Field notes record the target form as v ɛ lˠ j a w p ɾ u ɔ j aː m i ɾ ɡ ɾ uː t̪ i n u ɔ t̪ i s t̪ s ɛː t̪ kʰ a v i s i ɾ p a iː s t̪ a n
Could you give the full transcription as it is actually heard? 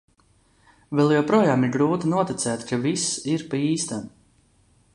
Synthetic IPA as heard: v ɛ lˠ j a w p ɾ u ɔ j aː m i ɾ ɡ ɾ uː t̪ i n u ɔ t̪ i t̪ s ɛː t̪ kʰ a v i s i ɾ p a iː s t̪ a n